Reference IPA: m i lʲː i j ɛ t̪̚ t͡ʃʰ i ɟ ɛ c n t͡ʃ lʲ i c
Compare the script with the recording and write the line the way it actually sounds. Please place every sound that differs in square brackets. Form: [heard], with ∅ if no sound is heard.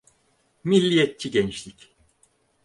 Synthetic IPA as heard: m i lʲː i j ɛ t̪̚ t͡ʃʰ i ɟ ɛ [∅] n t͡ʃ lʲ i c